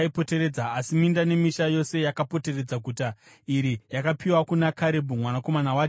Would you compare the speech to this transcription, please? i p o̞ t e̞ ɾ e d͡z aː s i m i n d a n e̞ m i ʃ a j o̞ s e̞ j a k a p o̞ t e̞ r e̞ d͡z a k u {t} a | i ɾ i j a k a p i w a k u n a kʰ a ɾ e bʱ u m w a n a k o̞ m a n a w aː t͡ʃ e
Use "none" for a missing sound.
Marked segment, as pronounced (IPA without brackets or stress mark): t